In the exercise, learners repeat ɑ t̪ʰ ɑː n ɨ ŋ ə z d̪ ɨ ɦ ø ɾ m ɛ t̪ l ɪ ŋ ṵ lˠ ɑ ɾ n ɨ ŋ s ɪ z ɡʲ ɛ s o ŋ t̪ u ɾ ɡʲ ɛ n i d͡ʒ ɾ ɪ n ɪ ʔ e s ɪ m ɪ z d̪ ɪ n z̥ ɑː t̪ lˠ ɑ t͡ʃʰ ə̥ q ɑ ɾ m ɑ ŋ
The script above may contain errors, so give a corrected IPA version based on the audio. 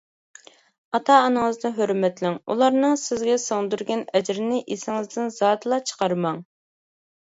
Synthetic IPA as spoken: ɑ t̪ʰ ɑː n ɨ ŋ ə z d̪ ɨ ɦ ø ɾ m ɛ t̪ l ɪ ŋ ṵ lˠ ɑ ɾ n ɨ ŋ s ɪ z ɡʲ ɛ s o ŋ d̪ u ɾ ɡʲ ɛ n ɛ d͡ʒ ɾ ɪ n ɪ ʔ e s ɪ ŋ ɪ z d̪ ɪ n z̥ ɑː t̪ lˠ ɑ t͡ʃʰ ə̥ q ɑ ɾ m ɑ ŋ